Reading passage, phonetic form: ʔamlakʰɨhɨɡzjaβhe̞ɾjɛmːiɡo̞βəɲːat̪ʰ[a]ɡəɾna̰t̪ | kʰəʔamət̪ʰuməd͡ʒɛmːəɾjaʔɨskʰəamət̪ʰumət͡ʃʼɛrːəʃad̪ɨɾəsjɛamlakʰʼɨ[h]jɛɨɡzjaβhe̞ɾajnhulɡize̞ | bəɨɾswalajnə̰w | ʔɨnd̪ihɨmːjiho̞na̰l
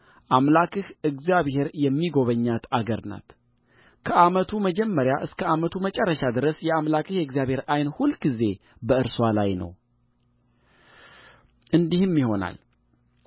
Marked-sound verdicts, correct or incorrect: correct, correct

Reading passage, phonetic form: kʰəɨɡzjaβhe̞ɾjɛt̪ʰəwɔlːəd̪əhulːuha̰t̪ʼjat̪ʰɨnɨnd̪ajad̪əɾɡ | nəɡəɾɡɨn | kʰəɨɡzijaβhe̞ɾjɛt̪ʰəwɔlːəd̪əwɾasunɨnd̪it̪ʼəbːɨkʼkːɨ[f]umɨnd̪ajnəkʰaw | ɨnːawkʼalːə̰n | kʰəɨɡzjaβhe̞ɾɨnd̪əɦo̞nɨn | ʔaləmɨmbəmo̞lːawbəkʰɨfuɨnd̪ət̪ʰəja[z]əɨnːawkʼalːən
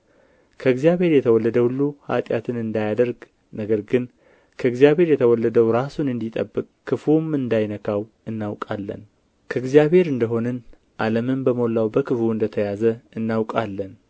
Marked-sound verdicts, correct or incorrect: correct, correct

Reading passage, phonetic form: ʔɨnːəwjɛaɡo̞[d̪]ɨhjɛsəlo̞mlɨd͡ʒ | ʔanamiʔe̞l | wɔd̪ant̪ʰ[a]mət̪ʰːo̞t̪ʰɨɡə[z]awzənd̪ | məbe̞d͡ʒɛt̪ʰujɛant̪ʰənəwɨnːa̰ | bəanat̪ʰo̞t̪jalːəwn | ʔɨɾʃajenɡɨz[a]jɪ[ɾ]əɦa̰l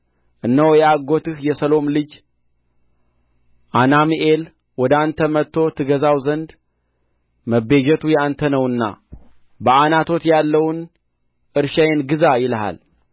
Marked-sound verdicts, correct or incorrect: incorrect: t̪, incorrect: ə, correct, correct, incorrect: l

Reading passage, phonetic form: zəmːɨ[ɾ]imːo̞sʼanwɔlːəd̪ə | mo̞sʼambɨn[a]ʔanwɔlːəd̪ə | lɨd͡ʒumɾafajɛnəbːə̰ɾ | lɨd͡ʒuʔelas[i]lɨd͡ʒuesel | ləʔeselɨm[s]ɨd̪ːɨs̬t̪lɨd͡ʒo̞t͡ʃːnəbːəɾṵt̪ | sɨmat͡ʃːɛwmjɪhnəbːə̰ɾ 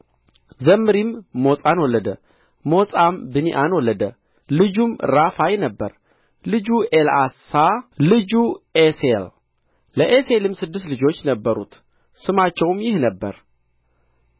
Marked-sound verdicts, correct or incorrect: correct, incorrect: i, incorrect: a, correct

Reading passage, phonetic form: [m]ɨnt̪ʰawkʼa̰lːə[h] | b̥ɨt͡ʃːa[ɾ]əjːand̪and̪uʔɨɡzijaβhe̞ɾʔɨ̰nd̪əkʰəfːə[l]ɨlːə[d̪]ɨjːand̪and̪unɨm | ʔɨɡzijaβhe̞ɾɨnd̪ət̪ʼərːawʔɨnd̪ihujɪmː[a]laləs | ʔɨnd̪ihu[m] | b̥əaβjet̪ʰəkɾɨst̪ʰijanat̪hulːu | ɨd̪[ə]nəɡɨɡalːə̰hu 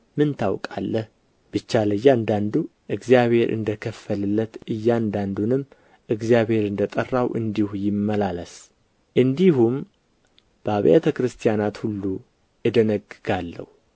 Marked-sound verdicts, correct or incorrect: correct, correct, incorrect: l, correct, incorrect: t̪, incorrect: ə, correct, correct

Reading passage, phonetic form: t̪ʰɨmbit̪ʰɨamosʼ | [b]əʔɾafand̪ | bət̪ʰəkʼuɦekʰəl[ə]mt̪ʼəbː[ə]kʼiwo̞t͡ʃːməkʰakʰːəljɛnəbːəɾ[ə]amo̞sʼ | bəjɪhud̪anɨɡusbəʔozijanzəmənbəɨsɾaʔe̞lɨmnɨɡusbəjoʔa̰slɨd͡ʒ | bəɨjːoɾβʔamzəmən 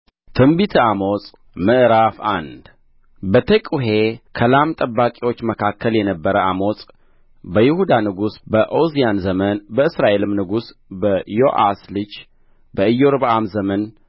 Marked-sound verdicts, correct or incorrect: incorrect: m, incorrect: a, incorrect: a, correct

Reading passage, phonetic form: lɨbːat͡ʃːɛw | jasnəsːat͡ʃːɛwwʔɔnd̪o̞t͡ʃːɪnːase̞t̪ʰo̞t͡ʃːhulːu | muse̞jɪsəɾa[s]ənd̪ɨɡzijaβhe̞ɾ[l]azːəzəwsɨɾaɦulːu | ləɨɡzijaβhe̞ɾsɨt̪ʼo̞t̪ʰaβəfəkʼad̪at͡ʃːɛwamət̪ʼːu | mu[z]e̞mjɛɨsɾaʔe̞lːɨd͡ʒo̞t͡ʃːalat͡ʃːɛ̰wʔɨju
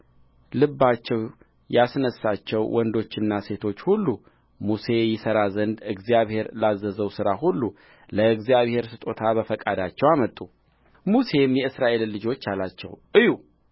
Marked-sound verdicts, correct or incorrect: incorrect: z, correct, incorrect: s

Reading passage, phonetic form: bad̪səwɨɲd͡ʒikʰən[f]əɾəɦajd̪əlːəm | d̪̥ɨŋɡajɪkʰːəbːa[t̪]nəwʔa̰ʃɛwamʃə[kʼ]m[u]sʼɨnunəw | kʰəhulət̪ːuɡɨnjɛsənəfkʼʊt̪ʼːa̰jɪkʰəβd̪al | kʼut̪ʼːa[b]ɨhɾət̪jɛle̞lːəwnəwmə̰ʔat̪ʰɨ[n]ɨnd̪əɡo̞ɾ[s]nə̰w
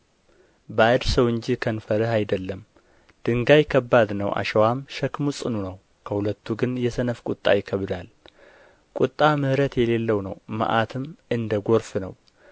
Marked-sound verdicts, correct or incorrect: correct, incorrect: d̪, incorrect: k, correct, incorrect: m, incorrect: m, incorrect: f

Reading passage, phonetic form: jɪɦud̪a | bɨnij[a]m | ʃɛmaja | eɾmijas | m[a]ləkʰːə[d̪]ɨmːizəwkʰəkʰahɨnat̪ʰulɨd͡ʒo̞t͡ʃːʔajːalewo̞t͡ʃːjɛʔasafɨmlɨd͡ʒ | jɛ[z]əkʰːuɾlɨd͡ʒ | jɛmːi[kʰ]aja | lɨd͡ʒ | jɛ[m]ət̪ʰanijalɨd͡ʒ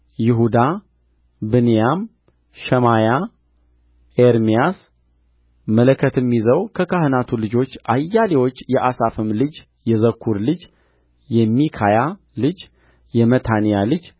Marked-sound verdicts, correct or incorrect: correct, incorrect: ə, incorrect: t̪, correct, correct, correct

